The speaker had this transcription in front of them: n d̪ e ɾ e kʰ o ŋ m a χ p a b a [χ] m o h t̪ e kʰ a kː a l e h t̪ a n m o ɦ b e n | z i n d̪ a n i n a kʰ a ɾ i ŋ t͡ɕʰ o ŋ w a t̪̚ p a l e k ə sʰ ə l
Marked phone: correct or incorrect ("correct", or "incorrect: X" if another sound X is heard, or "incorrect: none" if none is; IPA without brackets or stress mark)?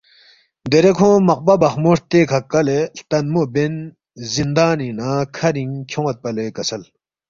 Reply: correct